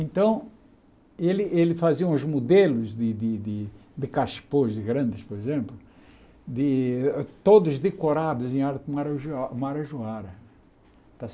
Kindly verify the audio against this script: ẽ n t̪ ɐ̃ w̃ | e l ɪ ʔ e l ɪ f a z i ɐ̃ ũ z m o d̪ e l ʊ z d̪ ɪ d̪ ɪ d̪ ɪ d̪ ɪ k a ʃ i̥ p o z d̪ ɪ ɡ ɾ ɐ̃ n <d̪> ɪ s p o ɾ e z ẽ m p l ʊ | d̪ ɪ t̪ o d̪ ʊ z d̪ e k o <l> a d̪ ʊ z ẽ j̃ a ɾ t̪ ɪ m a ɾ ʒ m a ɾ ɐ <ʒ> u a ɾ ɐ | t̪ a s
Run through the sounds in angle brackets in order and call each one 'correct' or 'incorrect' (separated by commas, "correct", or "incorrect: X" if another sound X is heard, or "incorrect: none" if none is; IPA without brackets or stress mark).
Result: correct, incorrect: ɾ, correct